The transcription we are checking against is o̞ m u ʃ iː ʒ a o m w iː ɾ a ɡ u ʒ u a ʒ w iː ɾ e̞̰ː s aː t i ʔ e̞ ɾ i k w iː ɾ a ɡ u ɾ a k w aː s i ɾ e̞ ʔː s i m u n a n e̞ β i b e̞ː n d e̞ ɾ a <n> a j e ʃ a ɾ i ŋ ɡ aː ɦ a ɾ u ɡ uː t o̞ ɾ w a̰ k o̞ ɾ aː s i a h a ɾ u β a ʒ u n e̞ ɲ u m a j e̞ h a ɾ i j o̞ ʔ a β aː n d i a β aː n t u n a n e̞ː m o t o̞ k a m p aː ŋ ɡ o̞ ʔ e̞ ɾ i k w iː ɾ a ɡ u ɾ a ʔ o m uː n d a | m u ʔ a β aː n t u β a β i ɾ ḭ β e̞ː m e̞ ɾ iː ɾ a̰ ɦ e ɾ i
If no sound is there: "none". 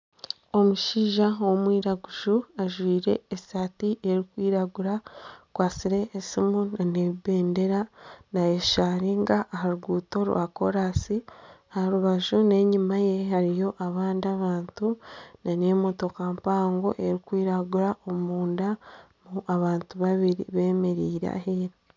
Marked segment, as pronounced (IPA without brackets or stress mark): n